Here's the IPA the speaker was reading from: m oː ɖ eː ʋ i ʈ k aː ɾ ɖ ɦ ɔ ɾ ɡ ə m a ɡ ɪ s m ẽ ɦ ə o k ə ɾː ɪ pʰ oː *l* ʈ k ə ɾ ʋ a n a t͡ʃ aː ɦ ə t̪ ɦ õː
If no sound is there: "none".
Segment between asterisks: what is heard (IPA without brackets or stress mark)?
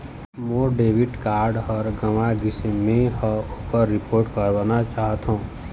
ɾ